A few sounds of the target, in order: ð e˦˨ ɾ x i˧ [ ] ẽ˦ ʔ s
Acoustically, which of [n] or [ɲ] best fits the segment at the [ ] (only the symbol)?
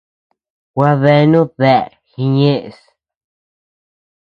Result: ɲ